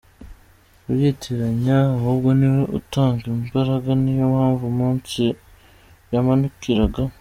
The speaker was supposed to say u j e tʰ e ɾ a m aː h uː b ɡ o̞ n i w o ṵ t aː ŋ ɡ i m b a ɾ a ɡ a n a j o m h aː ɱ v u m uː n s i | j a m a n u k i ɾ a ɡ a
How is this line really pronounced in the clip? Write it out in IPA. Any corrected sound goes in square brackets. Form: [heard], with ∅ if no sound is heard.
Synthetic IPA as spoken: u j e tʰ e ɾ a [ɲ] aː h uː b ɡ o̞ n i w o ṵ t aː ŋ ɡ i m b a ɾ a ɡ a n [i] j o m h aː ɱ v u m uː n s i | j a m a n u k i ɾ a ɡ a